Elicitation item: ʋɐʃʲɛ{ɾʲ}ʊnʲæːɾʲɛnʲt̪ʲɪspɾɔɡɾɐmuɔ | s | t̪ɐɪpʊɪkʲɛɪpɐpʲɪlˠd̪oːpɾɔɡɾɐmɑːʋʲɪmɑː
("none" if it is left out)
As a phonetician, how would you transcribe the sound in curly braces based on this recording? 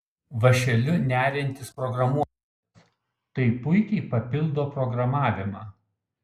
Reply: lʲ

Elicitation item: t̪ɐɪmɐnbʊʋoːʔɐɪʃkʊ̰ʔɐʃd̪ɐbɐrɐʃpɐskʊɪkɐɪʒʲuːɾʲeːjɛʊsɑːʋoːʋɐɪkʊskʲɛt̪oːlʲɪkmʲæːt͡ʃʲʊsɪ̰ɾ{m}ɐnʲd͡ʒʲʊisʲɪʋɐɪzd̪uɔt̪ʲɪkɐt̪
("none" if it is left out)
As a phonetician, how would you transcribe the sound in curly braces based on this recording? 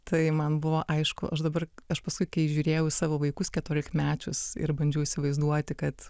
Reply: b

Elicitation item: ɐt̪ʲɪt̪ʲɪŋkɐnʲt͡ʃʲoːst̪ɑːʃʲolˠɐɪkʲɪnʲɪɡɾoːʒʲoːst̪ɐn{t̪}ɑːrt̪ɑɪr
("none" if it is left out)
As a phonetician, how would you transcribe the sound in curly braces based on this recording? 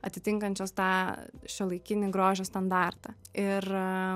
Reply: d̪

